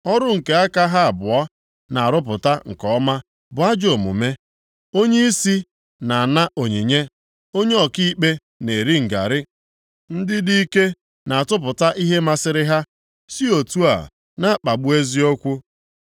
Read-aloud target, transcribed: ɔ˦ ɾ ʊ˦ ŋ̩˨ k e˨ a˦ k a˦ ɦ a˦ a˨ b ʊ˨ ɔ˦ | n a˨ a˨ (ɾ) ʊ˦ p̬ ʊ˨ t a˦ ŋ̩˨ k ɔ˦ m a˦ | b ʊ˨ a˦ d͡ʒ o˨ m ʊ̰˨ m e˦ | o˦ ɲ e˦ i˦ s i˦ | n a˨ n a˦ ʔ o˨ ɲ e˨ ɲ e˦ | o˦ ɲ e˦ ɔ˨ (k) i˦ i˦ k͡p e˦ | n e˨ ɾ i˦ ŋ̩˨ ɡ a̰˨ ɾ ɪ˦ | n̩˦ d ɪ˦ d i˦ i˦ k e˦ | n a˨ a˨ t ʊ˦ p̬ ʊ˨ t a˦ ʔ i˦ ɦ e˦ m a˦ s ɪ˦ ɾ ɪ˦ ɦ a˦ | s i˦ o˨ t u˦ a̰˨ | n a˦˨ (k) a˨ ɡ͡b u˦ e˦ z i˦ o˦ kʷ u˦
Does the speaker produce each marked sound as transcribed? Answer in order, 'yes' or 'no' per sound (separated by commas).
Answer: yes, yes, no